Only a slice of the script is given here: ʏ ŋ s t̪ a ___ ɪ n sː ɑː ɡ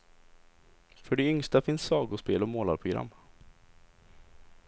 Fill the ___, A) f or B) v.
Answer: A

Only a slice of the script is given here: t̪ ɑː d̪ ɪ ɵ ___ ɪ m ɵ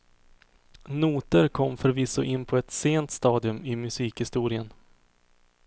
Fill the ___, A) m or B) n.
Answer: A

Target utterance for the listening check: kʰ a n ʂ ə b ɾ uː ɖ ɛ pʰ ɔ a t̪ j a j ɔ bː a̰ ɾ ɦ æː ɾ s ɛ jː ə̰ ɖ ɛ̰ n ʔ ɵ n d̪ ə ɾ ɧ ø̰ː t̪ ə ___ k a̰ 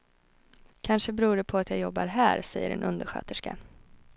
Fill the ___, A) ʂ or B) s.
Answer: A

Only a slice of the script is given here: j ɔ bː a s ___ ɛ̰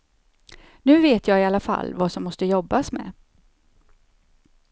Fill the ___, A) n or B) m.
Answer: B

